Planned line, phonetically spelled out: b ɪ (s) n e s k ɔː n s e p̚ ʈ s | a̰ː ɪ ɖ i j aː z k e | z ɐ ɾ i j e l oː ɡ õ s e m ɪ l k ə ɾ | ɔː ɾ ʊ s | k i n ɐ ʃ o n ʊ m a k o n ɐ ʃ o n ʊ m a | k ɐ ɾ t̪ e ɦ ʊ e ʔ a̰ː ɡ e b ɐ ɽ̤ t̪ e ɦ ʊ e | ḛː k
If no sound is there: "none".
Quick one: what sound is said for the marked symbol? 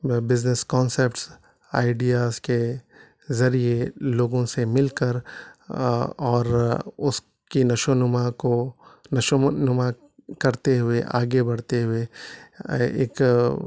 z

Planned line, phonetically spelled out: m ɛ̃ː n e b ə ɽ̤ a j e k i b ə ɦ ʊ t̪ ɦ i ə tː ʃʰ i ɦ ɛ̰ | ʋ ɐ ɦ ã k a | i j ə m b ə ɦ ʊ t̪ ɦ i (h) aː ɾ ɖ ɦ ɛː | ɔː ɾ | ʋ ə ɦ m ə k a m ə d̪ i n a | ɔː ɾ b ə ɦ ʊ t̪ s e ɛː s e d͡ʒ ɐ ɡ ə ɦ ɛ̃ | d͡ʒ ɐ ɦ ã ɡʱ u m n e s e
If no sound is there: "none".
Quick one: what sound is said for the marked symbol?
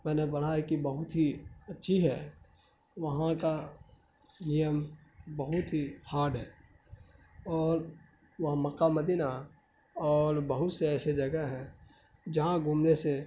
h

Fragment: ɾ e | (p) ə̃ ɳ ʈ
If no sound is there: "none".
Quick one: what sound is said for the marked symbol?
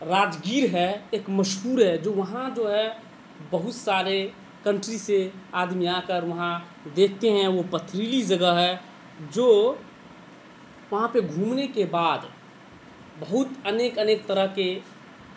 k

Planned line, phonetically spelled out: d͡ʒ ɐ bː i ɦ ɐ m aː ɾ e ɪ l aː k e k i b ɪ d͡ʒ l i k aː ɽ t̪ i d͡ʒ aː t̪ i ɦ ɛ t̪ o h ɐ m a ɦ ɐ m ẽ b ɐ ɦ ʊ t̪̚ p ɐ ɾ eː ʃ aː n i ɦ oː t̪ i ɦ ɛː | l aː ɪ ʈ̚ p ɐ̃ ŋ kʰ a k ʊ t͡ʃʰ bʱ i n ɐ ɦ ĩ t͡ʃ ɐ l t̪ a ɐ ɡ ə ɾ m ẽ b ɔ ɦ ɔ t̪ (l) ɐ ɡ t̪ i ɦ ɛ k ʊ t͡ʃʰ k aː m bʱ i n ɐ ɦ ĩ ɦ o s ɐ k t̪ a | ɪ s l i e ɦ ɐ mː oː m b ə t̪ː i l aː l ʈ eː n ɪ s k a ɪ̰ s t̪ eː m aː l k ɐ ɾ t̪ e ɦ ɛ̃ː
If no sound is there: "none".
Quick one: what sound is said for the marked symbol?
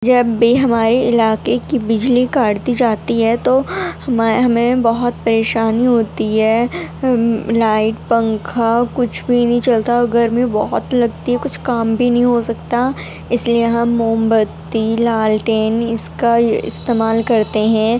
l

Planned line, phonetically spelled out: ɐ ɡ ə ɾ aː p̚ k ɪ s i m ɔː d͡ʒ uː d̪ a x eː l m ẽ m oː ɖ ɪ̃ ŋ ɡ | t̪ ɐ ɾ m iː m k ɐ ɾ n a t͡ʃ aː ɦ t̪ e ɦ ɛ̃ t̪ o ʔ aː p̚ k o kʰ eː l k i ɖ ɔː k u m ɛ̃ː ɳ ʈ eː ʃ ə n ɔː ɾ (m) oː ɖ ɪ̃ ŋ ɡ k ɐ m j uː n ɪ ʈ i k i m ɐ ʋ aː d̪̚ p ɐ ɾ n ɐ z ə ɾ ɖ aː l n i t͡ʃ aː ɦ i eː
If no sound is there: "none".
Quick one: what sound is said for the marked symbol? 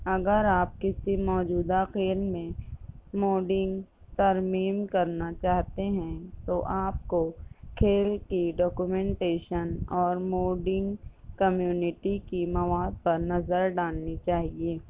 m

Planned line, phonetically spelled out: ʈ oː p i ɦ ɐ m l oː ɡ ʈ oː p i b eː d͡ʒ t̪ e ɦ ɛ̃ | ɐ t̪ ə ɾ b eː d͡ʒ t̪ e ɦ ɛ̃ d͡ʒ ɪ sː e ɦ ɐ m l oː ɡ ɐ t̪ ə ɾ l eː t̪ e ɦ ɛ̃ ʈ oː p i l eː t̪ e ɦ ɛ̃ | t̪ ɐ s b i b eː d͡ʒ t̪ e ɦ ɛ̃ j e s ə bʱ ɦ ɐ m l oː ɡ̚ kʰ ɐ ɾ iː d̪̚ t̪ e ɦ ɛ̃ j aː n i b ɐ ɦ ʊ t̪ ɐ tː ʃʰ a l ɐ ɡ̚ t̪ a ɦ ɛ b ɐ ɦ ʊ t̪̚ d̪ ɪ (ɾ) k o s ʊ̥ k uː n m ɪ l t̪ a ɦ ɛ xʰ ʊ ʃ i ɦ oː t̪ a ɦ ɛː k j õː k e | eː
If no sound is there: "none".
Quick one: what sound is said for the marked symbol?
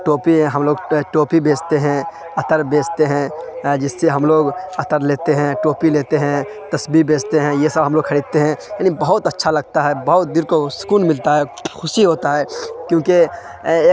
ɾ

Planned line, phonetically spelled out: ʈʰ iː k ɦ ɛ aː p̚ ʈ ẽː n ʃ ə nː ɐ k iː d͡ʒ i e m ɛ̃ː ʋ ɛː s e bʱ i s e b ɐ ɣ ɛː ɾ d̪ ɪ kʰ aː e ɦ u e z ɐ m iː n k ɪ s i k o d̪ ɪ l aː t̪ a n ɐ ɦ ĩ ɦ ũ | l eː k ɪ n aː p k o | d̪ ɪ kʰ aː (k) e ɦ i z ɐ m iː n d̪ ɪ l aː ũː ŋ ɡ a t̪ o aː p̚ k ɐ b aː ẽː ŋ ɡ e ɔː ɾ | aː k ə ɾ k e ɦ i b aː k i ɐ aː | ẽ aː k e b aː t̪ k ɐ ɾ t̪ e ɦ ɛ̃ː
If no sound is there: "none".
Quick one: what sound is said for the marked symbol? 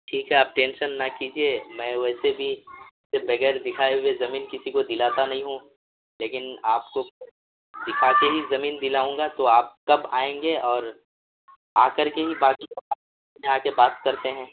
k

